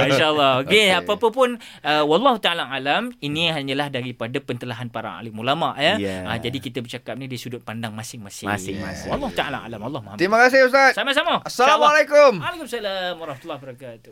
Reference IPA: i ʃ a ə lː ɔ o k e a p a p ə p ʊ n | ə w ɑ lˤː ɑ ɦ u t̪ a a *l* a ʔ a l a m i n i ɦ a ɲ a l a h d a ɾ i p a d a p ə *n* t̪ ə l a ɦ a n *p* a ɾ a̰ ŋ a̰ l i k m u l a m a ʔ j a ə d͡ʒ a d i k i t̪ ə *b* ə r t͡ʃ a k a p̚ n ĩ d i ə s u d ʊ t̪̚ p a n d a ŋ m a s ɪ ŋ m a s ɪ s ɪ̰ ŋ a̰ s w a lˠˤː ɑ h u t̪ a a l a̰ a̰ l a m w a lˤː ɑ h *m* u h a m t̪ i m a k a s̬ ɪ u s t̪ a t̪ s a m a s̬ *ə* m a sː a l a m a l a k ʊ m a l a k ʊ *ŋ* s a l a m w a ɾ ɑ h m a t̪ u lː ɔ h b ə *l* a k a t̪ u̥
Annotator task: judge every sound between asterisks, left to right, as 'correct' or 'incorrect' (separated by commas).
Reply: correct, correct, correct, correct, correct, incorrect, incorrect, incorrect